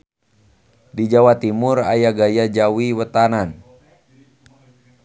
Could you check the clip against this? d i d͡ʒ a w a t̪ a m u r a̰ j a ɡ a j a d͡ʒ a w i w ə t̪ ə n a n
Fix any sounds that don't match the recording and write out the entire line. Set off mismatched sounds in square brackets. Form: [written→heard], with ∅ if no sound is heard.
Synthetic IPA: d i d͡ʒ a w a t̪ [a→i] m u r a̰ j a ɡ a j a d͡ʒ a w i w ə t̪ [ə→a] n a n

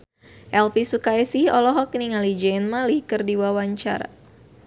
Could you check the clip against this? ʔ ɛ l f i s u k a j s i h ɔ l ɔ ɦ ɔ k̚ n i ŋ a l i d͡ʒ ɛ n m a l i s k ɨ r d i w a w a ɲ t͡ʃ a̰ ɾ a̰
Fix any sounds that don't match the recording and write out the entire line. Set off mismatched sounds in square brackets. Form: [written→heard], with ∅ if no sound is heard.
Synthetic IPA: ʔ ɛ l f i s u k a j s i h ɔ l ɔ ɦ ɔ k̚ n i ŋ a l i d͡ʒ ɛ n m a l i [s→h] k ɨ r d i w a w a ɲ t͡ʃ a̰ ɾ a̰

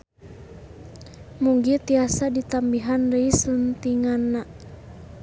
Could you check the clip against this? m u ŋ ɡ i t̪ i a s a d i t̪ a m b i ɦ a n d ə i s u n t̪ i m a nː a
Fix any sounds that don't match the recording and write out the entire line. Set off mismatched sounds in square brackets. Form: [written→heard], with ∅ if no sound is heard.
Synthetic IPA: m u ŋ ɡ i t̪ i a s a d i t̪ a m b i ɦ a n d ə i s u n t̪ i [m→ŋ] a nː a

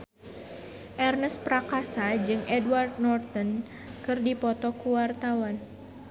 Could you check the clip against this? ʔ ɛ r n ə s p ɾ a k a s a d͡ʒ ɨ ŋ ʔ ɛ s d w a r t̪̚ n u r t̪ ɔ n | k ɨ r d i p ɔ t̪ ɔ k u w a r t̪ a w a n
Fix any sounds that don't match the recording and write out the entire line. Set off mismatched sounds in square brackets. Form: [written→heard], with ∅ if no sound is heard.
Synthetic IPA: ʔ ɛ r n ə s p ɾ a k a s a d͡ʒ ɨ ŋ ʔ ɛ [s→∅] d w a r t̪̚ n [u→ɔ] r t̪ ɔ n | k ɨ r d i p ɔ t̪ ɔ k u w a r t̪ a w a n

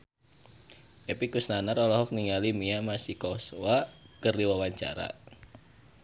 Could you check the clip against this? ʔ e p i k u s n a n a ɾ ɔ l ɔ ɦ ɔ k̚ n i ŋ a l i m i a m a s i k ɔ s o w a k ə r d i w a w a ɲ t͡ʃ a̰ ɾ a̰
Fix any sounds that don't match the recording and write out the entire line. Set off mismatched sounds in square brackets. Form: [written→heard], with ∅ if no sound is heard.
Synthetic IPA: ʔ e p i k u s n a n a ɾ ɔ l ɔ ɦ ɔ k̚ n i ŋ a l i m i a m a s i k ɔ s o w a k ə r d i w a w a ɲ t͡ʃ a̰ ɾ a̰

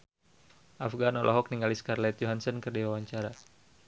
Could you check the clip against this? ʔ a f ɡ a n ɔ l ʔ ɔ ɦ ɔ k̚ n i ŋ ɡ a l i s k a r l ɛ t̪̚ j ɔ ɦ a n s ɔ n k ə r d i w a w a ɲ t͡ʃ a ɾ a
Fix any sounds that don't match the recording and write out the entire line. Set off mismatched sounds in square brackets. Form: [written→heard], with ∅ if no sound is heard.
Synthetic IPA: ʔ a f ɡ a n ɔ l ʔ ɔ ɦ ɔ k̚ n i ŋ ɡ a l i s k a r l ɛ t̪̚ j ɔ ɦ a n s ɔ n k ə r d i w a w a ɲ t͡ʃ a ɾ a

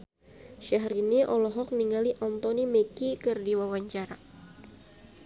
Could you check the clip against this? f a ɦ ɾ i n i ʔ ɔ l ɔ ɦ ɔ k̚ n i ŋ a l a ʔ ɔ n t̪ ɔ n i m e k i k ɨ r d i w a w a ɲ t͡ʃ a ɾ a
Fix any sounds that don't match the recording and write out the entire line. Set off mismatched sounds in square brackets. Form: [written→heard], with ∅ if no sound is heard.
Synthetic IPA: [f→ʃ] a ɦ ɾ i n i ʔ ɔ l ɔ ɦ ɔ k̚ n i ŋ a l [a→i] ʔ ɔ n t̪ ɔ n i m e k i k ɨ r d i w a w a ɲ t͡ʃ a ɾ a

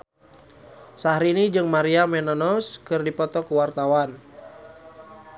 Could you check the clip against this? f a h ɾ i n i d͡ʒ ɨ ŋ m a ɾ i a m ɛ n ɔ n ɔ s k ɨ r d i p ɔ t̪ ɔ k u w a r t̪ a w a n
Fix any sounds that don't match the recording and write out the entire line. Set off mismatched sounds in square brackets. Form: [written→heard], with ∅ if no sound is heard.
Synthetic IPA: [f→s] a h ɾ i n i d͡ʒ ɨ ŋ m a ɾ i a m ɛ n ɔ n ɔ s k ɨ r d i p ɔ t̪ ɔ k u w a r t̪ a w a n

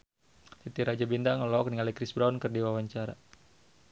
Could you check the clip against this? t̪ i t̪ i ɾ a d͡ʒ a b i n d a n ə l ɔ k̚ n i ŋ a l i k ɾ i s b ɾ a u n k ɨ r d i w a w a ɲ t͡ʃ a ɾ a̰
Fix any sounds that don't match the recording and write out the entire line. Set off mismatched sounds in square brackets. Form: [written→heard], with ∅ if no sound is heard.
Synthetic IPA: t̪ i t̪ i ɾ a d͡ʒ a b i n d a [n→ŋ] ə l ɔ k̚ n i ŋ a l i k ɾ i s b ɾ a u n k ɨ r d i w a w a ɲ t͡ʃ a ɾ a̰

